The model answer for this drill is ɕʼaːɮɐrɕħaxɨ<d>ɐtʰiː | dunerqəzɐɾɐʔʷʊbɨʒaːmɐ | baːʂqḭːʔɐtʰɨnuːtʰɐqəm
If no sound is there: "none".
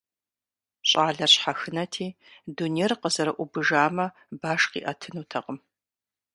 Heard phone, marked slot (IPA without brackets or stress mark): n